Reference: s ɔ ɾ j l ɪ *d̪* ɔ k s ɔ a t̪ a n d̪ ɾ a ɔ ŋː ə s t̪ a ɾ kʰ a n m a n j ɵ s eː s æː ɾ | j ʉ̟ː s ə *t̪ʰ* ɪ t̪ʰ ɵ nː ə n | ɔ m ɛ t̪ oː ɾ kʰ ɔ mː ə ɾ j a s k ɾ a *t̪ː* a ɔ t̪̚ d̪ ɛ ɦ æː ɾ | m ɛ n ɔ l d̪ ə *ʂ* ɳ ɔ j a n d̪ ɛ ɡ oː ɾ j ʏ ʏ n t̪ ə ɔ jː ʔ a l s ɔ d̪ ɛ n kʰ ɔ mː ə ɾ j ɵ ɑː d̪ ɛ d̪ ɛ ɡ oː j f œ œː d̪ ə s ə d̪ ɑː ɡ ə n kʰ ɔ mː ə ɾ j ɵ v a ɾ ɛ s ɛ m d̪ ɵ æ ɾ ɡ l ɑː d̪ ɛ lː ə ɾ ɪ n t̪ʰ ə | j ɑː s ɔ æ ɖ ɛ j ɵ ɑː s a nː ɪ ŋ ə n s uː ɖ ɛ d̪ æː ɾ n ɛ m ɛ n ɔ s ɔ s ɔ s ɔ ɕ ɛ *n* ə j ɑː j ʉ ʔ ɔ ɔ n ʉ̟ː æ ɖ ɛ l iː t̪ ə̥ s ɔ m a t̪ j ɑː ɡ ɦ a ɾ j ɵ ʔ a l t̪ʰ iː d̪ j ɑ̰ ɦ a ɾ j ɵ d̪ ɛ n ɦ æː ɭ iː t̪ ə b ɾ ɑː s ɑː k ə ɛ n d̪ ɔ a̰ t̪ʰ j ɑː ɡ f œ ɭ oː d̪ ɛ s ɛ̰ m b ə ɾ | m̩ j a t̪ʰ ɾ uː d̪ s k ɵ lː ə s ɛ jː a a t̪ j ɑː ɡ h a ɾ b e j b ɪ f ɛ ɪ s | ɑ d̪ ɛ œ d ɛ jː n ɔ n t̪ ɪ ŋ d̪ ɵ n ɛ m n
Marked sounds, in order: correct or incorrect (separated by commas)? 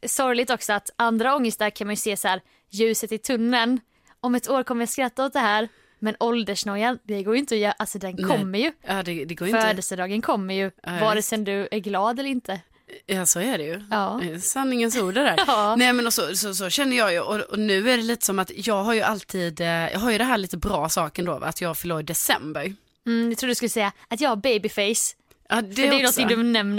incorrect, incorrect, correct, correct, incorrect